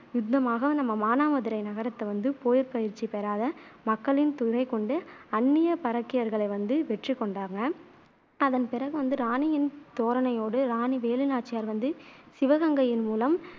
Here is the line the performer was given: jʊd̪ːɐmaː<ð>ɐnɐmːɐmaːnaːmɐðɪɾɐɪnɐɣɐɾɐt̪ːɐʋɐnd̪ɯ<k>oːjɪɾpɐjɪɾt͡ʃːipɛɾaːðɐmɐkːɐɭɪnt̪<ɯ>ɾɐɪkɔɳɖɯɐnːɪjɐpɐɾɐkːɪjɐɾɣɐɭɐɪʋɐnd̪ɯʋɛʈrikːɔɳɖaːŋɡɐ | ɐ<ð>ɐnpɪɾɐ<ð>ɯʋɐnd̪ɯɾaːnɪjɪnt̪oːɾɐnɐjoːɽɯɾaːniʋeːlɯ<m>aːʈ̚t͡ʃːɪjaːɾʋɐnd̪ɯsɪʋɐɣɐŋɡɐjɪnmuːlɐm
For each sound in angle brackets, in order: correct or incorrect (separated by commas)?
incorrect, incorrect, incorrect, correct, incorrect, incorrect